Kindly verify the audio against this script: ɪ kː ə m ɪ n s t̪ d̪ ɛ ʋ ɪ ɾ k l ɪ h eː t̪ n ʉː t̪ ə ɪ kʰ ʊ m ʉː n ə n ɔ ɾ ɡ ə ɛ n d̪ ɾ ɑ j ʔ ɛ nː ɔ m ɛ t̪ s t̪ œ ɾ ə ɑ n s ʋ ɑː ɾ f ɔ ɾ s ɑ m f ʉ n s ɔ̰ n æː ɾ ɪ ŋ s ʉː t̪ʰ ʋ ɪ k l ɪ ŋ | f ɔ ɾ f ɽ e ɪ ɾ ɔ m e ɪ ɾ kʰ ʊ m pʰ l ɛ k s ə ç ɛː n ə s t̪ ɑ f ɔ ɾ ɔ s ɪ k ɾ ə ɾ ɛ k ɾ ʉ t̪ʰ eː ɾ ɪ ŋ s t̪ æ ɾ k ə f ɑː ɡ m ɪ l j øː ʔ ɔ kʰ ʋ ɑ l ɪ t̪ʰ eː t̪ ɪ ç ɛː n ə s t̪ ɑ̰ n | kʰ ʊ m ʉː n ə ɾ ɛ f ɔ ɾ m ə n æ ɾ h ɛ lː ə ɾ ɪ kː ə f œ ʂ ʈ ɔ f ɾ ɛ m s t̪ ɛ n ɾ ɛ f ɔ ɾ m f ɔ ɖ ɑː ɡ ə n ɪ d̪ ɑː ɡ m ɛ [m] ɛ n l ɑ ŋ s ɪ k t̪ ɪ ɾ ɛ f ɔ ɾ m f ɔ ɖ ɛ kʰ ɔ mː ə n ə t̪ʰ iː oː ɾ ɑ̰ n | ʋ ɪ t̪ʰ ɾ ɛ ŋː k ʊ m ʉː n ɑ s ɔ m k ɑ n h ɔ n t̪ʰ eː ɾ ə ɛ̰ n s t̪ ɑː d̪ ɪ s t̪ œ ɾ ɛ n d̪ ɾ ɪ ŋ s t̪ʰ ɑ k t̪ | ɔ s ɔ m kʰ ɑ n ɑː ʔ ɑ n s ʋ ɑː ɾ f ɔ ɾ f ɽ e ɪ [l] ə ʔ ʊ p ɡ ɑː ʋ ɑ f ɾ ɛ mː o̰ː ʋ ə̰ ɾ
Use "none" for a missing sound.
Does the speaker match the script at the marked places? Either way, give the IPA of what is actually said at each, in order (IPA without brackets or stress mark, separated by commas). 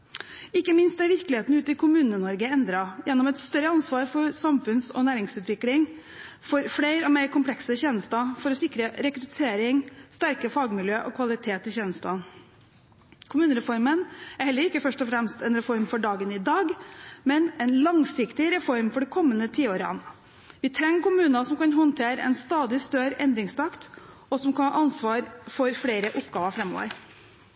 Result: n, ɾ